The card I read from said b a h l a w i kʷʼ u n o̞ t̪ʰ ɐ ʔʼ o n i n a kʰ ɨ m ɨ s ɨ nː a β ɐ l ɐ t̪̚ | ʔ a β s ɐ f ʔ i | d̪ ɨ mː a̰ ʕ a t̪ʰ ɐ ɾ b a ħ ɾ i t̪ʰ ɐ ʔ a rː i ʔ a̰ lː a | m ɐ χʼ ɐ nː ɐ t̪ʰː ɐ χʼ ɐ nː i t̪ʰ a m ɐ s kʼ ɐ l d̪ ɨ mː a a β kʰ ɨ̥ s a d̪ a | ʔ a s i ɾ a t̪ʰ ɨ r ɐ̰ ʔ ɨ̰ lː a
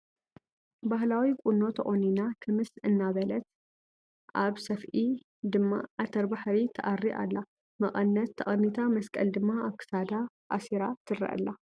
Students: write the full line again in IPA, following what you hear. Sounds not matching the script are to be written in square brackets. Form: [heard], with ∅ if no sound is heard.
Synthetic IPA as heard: b a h l a w i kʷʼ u n o̞ t̪ʰ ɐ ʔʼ o n i n a kʰ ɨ m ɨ s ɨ nː a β ɐ l ɐ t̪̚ | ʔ a β s ɐ f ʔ i | d̪ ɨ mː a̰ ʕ a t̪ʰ ɐ ɾ b a ħ ɾ i t̪ʰ ɐ ʔ a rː i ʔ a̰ lː a | m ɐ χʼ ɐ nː ɐ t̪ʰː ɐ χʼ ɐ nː i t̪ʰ a m ɐ s kʼ ɐ l d̪ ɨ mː a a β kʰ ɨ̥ s a d̪ a | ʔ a s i ɾ a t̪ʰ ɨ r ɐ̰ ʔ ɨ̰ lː a